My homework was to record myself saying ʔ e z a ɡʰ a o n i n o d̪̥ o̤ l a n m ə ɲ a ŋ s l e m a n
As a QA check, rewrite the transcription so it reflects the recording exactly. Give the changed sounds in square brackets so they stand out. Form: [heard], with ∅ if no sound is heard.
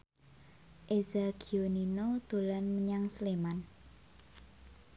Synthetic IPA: ʔ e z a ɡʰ [i] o n i n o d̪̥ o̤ l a n m ə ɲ a ŋ s l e m a n